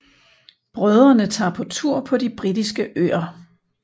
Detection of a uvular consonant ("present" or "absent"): present